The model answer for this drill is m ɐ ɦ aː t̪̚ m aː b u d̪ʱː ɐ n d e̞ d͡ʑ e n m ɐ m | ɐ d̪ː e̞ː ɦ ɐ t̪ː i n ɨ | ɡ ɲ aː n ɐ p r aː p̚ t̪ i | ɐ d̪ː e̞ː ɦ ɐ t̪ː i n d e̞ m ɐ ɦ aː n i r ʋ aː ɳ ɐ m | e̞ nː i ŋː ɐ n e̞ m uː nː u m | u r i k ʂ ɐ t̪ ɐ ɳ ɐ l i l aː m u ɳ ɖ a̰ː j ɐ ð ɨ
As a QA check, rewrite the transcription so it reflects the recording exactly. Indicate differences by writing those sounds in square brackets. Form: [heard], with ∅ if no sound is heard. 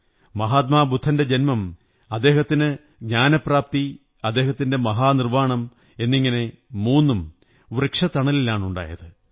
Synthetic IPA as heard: m ɐ ɦ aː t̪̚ m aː b u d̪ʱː ɐ n d e̞ d͡ʑ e n m ɐ m | ɐ d̪ː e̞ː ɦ ɐ t̪ː i n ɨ | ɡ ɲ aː n ɐ p r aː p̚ t̪ i | ɐ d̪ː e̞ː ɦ ɐ t̪ː i n d e̞ m ɐ ɦ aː n i r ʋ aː ɳ ɐ m | e̞ nː i ŋː ɐ n e̞ m uː nː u m | u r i k ʂ ɐ t̪ ɐ ɳ ɐ l i l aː [ɳ] u ɳ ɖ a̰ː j ɐ ð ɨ